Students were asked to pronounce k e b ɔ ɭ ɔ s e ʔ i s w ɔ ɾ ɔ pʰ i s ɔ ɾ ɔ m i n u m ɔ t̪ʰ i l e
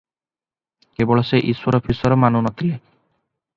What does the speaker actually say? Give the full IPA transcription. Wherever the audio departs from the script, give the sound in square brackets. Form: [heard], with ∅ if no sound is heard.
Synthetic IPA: k e b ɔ ɭ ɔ s e ʔ i s w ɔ ɾ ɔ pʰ i s ɔ ɾ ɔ m [a] n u [n] ɔ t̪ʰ i l e